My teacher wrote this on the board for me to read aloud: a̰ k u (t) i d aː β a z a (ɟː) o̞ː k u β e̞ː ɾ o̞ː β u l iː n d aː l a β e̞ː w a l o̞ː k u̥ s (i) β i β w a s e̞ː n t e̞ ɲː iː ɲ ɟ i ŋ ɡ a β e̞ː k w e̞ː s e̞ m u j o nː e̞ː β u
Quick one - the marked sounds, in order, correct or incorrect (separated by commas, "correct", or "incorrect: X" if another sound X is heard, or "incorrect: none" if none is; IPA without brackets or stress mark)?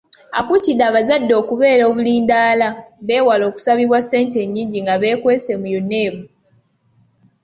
correct, incorrect: dː, incorrect: a